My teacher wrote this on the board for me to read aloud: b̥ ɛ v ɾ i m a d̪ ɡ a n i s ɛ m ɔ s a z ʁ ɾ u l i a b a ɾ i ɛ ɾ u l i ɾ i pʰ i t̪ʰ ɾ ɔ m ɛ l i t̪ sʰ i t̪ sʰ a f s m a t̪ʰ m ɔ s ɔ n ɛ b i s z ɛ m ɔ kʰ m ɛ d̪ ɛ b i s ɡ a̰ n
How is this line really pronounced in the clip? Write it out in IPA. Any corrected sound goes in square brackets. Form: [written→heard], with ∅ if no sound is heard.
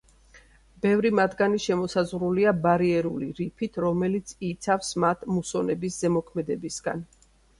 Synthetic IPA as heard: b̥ ɛ v ɾ i m a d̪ ɡ a n i [s→ʃ] ɛ m ɔ s a z ʁ ɾ u l i a b a ɾ i ɛ ɾ u l i ɾ i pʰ i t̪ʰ ɾ ɔ m ɛ l i t̪ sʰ i t̪ sʰ a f s m a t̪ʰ m [ɔ→u] s ɔ n ɛ b i s z ɛ m ɔ kʰ m ɛ d̪ ɛ b i s ɡ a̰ n